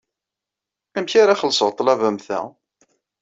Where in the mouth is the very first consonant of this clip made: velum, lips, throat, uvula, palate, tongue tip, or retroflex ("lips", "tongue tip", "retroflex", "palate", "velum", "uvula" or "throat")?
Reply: lips